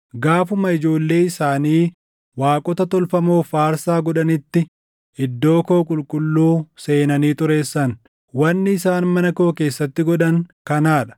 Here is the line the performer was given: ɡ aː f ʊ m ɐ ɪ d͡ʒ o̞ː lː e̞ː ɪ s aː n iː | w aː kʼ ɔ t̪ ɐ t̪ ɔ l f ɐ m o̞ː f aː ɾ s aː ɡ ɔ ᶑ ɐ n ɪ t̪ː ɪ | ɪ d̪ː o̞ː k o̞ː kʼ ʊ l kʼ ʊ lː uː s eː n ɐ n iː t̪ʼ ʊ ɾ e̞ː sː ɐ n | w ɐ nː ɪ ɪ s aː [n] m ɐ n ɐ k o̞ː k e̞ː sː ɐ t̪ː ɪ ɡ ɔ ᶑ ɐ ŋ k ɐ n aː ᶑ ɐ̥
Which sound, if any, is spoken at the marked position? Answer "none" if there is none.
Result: n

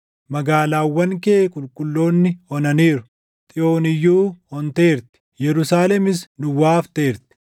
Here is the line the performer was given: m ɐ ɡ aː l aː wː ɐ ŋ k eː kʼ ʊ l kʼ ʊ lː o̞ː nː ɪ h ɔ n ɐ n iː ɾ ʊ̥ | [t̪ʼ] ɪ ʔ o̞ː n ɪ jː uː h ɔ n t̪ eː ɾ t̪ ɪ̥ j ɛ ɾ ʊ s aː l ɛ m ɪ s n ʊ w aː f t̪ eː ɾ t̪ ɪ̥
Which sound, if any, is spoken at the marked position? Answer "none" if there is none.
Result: t̪ʼ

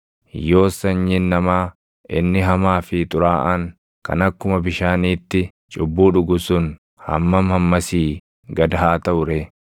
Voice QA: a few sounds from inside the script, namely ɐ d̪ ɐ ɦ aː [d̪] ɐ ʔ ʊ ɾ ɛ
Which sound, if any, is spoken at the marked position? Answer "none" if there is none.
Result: t̪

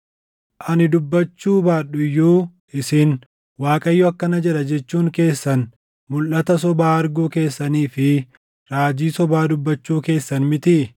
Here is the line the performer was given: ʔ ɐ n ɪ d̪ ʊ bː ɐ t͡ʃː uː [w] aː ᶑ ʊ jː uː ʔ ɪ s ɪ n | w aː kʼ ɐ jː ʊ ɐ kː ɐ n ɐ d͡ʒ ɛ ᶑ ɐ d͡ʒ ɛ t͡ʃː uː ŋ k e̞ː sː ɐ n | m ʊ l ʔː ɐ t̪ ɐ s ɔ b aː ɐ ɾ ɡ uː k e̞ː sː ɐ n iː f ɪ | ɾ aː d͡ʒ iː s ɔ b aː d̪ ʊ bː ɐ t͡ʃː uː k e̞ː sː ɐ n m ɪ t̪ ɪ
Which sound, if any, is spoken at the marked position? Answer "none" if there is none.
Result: b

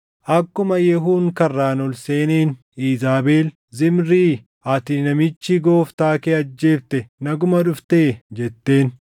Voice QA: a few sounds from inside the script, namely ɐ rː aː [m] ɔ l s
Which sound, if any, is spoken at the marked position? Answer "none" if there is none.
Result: n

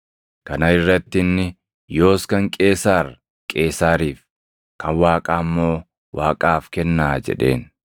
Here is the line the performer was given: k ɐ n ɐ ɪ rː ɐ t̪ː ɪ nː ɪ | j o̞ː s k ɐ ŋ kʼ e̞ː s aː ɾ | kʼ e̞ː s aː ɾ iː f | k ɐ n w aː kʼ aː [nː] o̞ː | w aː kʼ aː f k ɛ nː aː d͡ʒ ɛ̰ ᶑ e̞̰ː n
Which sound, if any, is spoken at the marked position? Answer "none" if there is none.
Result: mː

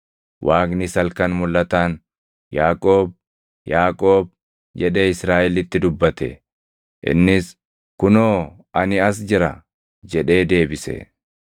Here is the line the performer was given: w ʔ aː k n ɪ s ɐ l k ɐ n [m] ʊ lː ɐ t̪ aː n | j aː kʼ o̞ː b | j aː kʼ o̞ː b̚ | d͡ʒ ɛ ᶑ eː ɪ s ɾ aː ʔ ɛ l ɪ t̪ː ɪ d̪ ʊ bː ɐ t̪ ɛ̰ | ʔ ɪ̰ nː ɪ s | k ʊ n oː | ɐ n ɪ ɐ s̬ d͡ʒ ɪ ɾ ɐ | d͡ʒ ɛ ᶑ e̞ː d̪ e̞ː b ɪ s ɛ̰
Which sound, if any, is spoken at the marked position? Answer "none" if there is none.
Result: m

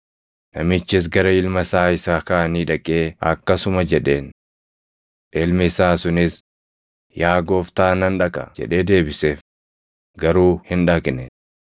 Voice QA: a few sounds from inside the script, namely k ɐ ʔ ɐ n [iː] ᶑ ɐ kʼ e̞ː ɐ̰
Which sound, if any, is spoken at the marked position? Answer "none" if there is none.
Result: iː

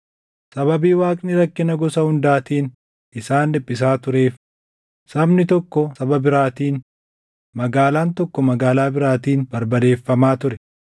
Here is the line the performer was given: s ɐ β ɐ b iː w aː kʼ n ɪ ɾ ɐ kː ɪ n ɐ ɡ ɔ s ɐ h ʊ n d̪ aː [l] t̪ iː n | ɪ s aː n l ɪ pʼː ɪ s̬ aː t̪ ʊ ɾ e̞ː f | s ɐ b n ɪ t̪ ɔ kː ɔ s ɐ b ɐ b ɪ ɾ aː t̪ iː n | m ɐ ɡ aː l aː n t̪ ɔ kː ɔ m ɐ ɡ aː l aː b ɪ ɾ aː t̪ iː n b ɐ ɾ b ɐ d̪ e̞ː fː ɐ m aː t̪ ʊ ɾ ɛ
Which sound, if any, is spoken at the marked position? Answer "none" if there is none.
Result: none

